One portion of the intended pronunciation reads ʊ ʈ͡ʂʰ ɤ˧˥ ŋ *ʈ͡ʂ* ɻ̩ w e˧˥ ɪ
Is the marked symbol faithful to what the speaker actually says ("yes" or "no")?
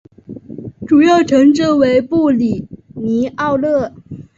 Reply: yes